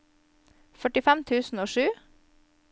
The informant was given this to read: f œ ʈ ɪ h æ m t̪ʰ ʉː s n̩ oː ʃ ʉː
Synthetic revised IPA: f œ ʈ ɪ f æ m t̪ʰ ʉː s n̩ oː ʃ ʉː